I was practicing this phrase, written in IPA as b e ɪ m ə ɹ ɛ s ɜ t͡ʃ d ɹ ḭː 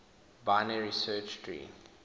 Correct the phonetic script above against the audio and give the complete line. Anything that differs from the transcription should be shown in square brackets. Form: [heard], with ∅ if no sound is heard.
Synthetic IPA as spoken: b [a] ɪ [n] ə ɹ [i] s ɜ t͡ʃ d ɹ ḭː

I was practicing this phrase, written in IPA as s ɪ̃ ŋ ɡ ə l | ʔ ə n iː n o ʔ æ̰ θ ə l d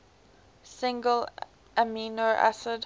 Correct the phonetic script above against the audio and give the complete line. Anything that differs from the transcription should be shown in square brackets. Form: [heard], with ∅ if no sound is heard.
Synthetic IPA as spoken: s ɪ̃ ŋ ɡ ə l | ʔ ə [m] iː n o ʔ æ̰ [s] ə [∅] d

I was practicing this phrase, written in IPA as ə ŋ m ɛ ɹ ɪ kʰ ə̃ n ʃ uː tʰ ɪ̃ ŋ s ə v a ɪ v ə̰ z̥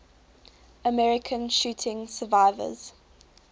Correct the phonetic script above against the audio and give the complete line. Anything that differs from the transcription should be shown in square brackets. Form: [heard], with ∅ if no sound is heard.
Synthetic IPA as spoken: ə [∅] m ɛ ɹ ɪ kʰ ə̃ n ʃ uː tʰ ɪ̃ ŋ s ə v a ɪ v ə̰ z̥

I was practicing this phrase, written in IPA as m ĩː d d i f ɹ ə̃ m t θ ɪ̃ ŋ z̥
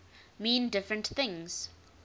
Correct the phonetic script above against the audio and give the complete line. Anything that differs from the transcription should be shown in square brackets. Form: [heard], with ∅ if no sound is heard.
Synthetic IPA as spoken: m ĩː [n] d [ɪ] f ɹ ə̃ [n] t θ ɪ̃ ŋ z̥

